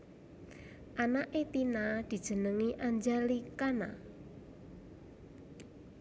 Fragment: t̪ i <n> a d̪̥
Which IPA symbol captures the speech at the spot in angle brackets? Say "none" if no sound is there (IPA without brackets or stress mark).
n